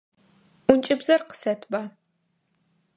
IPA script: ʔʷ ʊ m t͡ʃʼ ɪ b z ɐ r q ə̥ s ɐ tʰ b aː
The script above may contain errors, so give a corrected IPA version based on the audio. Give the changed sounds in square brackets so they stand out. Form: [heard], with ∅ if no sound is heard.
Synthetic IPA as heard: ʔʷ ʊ [n] t͡ʃʼ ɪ b z ɐ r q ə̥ s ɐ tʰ b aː